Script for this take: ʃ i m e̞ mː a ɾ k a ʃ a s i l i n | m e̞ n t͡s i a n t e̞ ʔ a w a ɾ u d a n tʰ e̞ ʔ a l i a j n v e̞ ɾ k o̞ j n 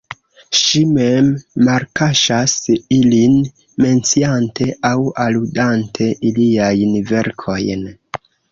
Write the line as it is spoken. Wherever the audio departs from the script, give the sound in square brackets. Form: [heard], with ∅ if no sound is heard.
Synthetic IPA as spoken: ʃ i m e̞ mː a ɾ k a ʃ a s i l i n | m e̞ n t͡s i a n t e̞ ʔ a w a [l] u d a n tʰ e̞ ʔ [i] l i a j n v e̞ ɾ [kʰ] o̞ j n